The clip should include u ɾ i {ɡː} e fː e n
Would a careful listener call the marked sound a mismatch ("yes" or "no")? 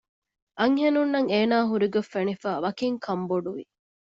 yes